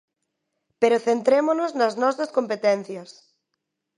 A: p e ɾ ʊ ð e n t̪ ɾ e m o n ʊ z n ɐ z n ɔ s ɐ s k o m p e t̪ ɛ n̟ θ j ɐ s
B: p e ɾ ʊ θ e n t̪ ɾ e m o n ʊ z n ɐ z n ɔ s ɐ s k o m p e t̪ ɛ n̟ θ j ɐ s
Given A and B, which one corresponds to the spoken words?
B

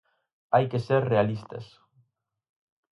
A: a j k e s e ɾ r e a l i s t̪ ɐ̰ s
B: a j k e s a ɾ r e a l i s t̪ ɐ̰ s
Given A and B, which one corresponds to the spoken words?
A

